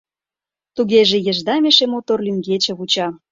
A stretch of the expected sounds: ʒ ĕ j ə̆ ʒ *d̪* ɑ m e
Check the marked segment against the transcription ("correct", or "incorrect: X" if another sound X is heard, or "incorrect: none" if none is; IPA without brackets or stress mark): correct